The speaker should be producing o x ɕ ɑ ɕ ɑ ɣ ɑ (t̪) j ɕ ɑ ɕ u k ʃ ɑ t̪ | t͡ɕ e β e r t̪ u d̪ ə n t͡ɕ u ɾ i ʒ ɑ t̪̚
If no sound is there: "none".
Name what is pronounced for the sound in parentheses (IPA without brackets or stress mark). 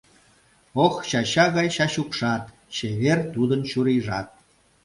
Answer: none